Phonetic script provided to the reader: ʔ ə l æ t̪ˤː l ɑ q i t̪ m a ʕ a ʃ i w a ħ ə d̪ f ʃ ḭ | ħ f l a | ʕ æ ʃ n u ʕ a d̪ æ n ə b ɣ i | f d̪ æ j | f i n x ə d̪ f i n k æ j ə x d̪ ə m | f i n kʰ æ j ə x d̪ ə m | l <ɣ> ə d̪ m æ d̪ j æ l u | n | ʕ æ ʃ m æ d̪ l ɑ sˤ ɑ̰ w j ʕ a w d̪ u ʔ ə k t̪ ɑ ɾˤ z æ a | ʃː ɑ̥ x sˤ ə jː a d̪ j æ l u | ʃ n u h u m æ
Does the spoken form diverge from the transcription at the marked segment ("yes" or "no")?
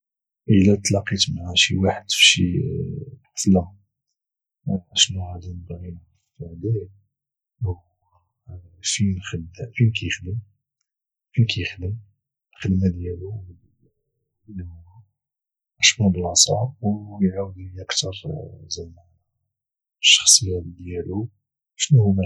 yes